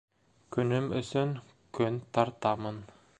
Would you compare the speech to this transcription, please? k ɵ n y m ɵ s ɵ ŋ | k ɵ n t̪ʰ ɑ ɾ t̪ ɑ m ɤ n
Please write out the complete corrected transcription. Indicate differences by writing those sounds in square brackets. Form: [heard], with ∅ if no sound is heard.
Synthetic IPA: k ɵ n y m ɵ s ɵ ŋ | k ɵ n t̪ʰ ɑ ɾ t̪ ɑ m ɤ n